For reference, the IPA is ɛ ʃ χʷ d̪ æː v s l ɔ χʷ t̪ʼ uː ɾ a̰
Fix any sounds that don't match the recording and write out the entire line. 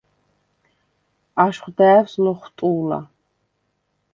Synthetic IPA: a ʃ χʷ d̪ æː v s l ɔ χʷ t̪ʼ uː l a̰